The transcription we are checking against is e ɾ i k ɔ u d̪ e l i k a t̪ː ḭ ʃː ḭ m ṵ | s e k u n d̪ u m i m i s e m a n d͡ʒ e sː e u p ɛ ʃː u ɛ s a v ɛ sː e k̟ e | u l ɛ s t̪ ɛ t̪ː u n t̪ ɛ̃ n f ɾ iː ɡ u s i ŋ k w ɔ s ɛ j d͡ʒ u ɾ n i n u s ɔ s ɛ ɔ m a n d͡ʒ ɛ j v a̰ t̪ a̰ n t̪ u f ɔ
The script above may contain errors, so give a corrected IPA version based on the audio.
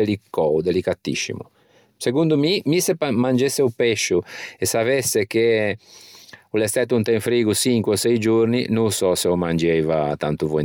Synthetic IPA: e l i k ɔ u d̪ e l i k a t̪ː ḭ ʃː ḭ m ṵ | s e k u n d̪ u m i m i s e m a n d͡ʒ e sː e u p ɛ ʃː u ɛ s a v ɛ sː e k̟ e | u l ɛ s t̪ ɛ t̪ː u n t̪ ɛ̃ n f ɾ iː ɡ u s i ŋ k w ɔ s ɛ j d͡ʒ u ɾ n i n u s ɔ s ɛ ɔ m a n d͡ʒ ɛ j v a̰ t̪ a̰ n t̪ u v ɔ